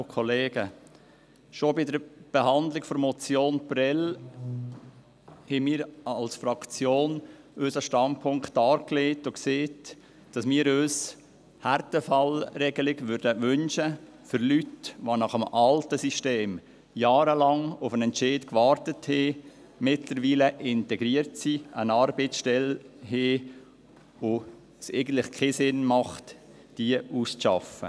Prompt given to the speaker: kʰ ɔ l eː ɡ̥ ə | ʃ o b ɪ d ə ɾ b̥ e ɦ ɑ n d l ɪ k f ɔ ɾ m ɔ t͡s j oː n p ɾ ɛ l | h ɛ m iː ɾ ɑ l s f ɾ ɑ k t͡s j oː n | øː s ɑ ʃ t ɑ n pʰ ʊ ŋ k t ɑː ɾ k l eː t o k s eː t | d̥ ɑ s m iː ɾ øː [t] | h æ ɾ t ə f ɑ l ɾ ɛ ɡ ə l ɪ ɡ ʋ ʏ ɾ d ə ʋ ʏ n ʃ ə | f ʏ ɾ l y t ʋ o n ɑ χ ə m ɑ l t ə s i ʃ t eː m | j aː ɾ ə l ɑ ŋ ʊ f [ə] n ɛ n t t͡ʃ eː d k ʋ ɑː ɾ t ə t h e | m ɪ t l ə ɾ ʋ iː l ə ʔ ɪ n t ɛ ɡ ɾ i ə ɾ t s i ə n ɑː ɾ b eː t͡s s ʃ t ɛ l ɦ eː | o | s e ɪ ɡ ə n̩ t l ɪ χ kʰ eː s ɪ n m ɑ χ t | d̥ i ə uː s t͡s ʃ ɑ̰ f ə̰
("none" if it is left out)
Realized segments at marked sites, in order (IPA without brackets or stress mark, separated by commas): s, ə